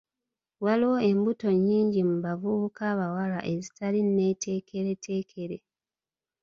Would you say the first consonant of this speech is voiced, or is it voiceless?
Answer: voiced